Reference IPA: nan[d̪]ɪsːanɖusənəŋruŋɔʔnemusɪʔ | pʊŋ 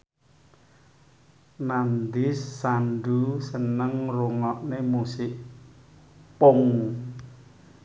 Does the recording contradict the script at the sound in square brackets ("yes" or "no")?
no